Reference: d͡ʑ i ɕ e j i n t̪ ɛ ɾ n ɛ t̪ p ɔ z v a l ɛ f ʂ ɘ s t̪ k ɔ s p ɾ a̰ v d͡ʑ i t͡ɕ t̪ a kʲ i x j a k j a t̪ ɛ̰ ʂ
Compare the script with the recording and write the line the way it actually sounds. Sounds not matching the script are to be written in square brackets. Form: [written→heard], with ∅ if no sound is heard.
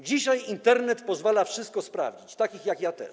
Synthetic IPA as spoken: d͡ʑ i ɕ [e→a] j i n t̪ ɛ ɾ n ɛ t̪ p ɔ z v a l [ɛ→a] f ʂ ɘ s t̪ k ɔ s p ɾ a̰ v d͡ʑ i t͡ɕ t̪ a kʲ i x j a k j a t̪ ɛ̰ ʂ

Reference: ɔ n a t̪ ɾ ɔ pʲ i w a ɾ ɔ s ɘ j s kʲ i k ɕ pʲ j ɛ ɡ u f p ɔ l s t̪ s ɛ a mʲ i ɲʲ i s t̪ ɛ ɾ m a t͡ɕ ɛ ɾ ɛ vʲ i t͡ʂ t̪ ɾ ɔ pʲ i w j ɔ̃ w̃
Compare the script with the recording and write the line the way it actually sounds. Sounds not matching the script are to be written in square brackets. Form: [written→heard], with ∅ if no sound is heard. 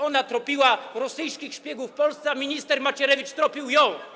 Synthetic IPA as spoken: ɔ n a t̪ ɾ ɔ pʲ i w a ɾ ɔ s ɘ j s kʲ i [k→x] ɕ pʲ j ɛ ɡ u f p ɔ l s t̪ s ɛ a mʲ i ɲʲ i s t̪ ɛ ɾ m a t͡ɕ ɛ ɾ ɛ vʲ i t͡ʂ t̪ ɾ ɔ pʲ i w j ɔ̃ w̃

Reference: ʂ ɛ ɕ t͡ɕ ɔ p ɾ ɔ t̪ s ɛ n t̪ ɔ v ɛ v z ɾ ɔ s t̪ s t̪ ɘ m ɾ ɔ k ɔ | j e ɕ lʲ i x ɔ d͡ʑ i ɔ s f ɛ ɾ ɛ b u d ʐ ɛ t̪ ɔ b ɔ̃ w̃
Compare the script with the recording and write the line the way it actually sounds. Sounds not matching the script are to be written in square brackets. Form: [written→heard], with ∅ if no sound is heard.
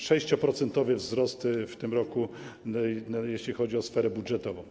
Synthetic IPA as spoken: ʂ ɛ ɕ t͡ɕ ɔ p ɾ ɔ t̪ s ɛ n t̪ ɔ v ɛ v z ɾ ɔ s t̪ [s→f] t̪ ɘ m ɾ ɔ k [ɔ→u] | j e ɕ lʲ i x ɔ d͡ʑ i ɔ s f ɛ ɾ ɛ b u d ʐ ɛ t̪ ɔ [b→v] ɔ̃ w̃

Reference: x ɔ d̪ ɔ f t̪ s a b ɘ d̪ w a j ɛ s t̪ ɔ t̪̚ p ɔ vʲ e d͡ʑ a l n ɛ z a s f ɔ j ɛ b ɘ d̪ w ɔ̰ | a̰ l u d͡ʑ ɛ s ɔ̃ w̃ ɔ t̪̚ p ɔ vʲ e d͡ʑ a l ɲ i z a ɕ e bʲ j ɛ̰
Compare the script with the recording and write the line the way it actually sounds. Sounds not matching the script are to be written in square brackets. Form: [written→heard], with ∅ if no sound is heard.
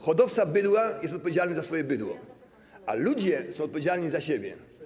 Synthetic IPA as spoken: x ɔ d̪ ɔ f t̪ s a b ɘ d̪ w a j ɛ s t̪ ɔ t̪̚ p ɔ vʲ e d͡ʑ a l n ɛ z a s f ɔ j ɛ b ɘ d̪ w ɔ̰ | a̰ l u d͡ʑ ɛ s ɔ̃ w̃ ɔ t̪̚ p ɔ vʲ e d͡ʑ a l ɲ i z a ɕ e bʲ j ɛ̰

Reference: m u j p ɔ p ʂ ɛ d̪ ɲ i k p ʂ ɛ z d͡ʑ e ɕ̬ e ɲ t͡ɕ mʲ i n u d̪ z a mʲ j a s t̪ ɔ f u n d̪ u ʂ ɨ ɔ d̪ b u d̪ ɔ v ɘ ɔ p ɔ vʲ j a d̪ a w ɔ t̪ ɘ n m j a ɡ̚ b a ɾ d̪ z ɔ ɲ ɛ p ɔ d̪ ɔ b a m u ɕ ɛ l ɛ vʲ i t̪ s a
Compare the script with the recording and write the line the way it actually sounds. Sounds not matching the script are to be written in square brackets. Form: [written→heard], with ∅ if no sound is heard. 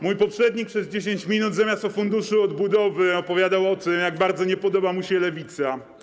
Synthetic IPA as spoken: m u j p ɔ p ʂ ɛ d̪ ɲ i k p ʂ ɛ z d͡ʑ e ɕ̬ e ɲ t͡ɕ mʲ i n u d̪ z a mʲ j a s t̪ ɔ f u n d̪ u ʂ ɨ ɔ d̪ b u d̪ ɔ v ɘ ɔ p ɔ vʲ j a d̪ a w ɔ t̪ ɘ [n→∅] m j a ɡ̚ b a ɾ d̪ z ɔ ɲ ɛ p ɔ d̪ ɔ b a m u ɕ ɛ l ɛ vʲ i t̪ s a

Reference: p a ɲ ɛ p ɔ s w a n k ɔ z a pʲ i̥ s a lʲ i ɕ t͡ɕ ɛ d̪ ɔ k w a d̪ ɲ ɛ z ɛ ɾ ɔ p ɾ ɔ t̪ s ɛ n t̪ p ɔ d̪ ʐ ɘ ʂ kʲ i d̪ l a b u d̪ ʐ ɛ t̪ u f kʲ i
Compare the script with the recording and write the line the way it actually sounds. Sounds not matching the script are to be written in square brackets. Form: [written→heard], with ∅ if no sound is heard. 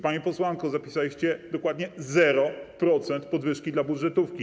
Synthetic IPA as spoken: p a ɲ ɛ p ɔ s w a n k ɔ z a pʲ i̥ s a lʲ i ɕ t͡ɕ ɛ d̪ ɔ k w a d̪ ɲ ɛ z ɛ ɾ ɔ p ɾ ɔ t̪ s ɛ n t̪ p ɔ d̪ [ʐ→v] ɘ ʂ kʲ i d̪ l a b u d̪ ʐ ɛ t̪ u f kʲ i

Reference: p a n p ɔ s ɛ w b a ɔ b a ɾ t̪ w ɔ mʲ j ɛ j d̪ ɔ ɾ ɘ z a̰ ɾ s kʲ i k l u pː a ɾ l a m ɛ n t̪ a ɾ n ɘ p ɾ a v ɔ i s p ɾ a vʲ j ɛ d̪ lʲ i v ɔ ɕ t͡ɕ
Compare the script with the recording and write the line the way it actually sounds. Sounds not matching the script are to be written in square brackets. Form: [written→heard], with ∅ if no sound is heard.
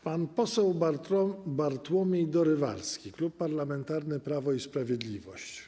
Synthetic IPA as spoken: p a n p ɔ s ɛ w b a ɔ b a ɾ t̪ w ɔ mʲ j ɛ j d̪ ɔ ɾ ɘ [z→v] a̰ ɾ s kʲ i k l u pː a ɾ l a m ɛ n t̪ a ɾ n ɘ p ɾ a v ɔ i s p ɾ a vʲ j ɛ d̪ lʲ i v ɔ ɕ t͡ɕ

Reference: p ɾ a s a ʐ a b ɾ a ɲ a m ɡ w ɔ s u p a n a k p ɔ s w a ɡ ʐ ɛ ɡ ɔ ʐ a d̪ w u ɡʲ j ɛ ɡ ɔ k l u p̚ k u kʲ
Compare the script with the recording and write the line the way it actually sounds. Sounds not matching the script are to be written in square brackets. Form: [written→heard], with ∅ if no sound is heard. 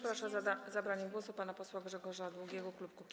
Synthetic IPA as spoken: p ɾ a [s→ʂ] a [ʐ→z] a b ɾ a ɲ [a→ɛ] m ɡ w ɔ s u p a n a [k→∅] p ɔ s w a ɡ ʐ ɛ ɡ ɔ ʐ a d̪ w u ɡʲ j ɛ ɡ ɔ k l u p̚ k u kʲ

